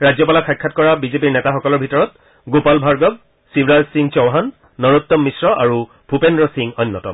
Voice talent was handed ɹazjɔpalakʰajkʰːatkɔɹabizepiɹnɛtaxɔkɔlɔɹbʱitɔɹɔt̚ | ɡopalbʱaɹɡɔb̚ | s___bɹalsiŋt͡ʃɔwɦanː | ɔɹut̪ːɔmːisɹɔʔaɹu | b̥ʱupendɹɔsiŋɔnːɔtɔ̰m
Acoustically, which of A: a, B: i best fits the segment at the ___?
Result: B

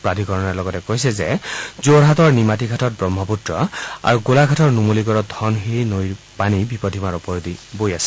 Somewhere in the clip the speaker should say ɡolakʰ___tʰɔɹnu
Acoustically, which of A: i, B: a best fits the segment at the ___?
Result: B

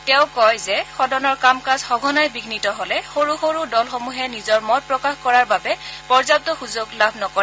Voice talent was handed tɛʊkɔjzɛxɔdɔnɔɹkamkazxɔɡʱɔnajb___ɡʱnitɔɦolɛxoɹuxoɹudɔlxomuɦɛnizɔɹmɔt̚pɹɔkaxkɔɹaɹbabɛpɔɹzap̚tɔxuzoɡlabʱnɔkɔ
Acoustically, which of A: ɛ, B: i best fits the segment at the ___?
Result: B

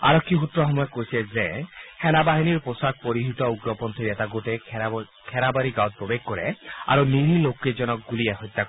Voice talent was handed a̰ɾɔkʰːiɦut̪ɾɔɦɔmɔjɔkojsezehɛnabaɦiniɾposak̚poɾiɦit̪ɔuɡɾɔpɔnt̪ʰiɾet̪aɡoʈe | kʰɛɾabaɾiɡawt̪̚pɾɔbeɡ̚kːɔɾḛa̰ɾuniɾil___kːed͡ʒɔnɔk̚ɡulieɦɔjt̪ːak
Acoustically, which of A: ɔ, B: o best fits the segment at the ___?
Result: B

